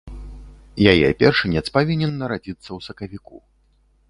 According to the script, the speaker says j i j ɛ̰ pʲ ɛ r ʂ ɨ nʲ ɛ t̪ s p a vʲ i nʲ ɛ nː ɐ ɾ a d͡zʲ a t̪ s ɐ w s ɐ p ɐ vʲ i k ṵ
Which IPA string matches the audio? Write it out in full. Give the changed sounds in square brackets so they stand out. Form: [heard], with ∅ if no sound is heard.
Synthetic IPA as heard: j [a] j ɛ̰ pʲ ɛ r ʂ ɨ nʲ ɛ t̪ s p a vʲ i nʲ ɛ nː ɐ ɾ a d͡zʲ [i] t̪ [sː] ɐ w s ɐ [k] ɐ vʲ i k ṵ